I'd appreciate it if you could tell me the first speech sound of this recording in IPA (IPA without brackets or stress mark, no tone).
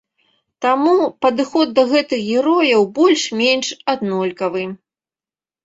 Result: t̪